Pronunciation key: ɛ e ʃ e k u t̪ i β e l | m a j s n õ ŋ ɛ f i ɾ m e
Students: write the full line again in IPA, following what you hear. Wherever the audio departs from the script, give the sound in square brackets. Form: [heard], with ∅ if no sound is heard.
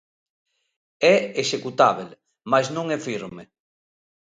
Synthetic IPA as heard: ɛ e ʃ e k u t̪ [a] β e l | m a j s n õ ŋ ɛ f i ɾ m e